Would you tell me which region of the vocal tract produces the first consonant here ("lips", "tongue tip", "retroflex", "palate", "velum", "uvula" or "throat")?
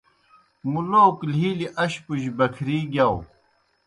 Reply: lips